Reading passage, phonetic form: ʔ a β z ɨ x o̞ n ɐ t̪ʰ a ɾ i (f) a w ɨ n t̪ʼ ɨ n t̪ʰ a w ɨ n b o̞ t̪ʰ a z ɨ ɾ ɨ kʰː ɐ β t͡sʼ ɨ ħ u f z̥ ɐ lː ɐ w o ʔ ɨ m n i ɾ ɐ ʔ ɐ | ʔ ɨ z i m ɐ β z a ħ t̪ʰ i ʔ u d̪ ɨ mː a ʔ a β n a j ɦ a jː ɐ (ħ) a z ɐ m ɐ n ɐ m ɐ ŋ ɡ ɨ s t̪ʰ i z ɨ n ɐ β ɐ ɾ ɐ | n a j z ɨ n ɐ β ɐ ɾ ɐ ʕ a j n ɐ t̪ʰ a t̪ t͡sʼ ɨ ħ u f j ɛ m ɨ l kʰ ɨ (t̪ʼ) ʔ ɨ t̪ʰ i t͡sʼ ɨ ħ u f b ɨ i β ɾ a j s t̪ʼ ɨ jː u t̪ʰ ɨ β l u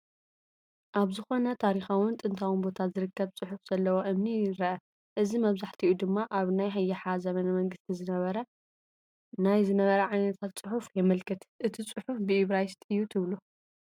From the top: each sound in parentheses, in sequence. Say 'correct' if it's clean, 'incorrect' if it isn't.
incorrect, correct, incorrect

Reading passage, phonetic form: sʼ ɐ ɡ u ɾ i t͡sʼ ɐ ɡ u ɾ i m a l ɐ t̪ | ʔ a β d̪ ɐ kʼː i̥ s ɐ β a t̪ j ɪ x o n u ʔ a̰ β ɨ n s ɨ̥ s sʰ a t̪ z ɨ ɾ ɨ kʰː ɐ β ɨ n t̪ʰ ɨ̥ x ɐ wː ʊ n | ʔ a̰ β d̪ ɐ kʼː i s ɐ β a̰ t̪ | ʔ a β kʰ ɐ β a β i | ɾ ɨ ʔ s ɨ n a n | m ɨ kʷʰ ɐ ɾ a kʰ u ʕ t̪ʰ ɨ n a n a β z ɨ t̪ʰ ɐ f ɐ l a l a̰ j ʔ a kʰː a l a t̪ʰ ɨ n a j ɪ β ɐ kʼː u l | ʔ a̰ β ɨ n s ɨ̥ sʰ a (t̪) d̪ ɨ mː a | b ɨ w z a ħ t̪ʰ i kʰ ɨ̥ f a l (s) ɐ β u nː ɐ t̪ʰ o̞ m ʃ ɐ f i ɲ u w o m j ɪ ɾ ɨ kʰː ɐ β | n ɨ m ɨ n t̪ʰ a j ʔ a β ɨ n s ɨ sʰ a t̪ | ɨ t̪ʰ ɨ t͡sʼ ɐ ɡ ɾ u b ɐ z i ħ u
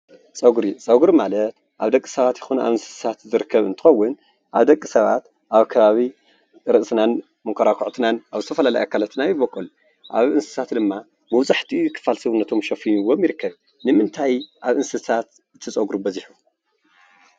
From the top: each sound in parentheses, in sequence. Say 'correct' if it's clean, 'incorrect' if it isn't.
correct, correct

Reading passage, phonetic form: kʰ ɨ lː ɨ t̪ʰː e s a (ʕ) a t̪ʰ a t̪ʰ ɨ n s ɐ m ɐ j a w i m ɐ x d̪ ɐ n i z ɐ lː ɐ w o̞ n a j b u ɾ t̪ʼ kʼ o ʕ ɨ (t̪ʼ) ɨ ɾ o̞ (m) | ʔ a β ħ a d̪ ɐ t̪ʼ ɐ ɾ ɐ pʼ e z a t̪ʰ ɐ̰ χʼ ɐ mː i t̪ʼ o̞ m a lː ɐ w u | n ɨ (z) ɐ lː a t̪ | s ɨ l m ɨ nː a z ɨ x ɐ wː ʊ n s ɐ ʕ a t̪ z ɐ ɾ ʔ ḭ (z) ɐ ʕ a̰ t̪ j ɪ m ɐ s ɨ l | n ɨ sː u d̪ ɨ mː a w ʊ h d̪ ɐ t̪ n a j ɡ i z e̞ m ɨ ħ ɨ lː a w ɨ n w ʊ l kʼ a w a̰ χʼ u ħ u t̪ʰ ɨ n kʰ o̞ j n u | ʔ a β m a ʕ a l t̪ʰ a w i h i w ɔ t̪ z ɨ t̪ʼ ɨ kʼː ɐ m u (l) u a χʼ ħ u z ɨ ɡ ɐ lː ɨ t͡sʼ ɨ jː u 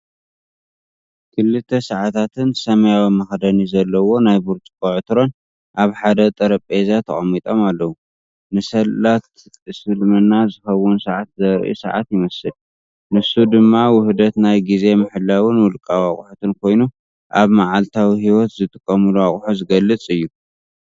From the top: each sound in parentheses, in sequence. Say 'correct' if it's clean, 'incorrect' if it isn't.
correct, incorrect, incorrect, incorrect, incorrect, correct

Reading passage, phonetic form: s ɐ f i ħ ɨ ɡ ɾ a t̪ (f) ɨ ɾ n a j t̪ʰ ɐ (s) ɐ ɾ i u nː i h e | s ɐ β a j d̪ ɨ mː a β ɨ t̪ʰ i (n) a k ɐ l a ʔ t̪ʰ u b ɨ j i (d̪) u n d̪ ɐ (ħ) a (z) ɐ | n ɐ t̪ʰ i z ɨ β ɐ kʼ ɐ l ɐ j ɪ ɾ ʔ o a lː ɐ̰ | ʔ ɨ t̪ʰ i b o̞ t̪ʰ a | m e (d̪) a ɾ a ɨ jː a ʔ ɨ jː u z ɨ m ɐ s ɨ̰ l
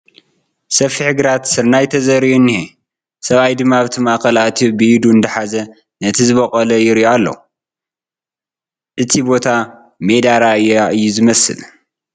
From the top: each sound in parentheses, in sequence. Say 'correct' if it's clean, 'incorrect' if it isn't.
incorrect, incorrect, incorrect, correct, correct, correct, correct

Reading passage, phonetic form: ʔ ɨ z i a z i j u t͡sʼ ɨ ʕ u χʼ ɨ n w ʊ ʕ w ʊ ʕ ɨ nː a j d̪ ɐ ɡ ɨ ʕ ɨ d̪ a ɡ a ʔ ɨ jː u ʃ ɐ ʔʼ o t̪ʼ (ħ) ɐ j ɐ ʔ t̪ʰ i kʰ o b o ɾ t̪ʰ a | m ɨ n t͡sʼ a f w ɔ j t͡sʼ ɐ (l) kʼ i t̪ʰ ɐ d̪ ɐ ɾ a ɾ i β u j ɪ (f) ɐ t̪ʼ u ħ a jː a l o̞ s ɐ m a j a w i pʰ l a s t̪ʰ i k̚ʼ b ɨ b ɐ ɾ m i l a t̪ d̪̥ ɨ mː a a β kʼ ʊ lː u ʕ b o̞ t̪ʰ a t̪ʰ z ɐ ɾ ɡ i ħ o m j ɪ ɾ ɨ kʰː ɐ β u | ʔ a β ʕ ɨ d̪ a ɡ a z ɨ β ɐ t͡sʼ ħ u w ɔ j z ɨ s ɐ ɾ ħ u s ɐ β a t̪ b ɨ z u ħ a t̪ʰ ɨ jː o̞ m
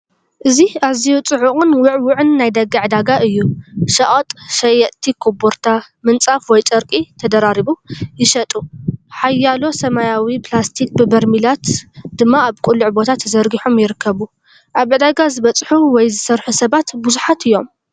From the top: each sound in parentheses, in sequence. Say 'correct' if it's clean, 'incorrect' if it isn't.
incorrect, incorrect, incorrect

